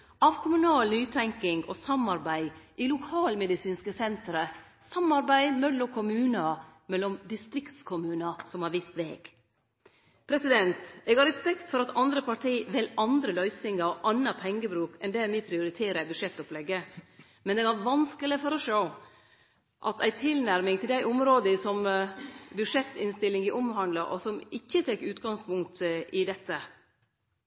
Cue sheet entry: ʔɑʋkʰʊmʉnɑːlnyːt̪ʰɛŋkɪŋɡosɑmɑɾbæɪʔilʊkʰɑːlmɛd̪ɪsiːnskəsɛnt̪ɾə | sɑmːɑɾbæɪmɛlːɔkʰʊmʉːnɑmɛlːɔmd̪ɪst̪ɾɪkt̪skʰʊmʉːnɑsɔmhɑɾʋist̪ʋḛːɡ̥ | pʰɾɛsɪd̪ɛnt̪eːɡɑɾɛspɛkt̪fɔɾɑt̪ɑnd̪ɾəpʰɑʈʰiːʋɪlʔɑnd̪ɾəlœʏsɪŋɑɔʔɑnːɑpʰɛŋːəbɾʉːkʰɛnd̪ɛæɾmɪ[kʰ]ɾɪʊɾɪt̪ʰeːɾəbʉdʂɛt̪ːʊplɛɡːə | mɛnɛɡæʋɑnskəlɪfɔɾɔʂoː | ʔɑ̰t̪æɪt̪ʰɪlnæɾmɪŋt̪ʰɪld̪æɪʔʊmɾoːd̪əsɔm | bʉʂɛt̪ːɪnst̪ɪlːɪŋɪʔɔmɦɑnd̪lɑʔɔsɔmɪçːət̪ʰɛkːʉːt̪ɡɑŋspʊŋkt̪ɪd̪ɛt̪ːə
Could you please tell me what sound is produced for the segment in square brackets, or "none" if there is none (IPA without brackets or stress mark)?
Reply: pʰ